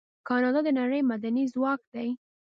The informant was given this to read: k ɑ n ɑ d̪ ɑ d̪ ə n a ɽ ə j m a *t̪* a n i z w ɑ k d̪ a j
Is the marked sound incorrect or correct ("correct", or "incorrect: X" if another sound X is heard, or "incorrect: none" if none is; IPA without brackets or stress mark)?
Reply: incorrect: d̪